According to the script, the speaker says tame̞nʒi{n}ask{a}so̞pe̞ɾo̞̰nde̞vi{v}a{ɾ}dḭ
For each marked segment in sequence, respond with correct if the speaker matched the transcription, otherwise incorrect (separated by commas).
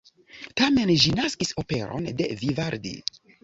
correct, incorrect, correct, correct